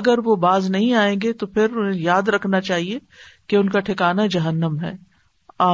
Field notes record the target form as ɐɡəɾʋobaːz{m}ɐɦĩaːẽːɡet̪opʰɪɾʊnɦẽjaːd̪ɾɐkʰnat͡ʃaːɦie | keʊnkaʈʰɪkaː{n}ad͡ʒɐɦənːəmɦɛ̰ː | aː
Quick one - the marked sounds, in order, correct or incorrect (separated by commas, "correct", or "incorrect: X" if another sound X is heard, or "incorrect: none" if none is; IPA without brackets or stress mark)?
incorrect: n, correct